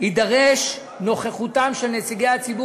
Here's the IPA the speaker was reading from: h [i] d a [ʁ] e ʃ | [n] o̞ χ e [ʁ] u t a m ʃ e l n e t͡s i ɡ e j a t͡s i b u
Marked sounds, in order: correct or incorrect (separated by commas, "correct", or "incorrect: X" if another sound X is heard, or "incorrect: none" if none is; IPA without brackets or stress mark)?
correct, correct, correct, incorrect: χ